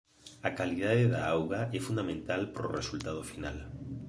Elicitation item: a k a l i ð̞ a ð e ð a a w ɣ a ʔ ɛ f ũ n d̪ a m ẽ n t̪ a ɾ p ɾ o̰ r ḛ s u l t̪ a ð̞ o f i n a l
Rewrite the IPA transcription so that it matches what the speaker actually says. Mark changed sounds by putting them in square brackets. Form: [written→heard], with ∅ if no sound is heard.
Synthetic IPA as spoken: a k a l i ð̞ a ð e ð a a w ɣ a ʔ ɛ f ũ n d̪ a m ẽ n t̪ a [ɾ→l] p ɾ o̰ r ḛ s u l t̪ a ð̞ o f i n a l